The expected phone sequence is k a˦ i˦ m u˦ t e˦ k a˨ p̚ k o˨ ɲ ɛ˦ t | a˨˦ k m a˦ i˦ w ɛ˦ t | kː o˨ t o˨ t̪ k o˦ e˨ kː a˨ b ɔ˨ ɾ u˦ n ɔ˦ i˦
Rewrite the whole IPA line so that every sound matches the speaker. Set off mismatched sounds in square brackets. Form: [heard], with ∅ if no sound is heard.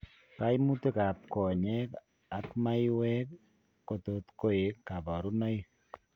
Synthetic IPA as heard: k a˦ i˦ m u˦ t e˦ k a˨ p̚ k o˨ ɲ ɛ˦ [k] | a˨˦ k m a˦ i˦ w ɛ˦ [k] | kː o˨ t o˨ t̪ k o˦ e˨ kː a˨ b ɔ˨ ɾ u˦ n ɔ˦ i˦